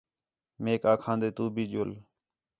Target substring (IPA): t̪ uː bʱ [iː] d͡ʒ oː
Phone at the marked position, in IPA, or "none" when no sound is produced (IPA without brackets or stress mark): iː